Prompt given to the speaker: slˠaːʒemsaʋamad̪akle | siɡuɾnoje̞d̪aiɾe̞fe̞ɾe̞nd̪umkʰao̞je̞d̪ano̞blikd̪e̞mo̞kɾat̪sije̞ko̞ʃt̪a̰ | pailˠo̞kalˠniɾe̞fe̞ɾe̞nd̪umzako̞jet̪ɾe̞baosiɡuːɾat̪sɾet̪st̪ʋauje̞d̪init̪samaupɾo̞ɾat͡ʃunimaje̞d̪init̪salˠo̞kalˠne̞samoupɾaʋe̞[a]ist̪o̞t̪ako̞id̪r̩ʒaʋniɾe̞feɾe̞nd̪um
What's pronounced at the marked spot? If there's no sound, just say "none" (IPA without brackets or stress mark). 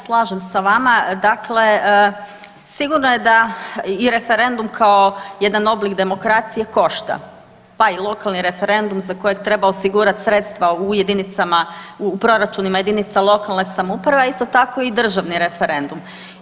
a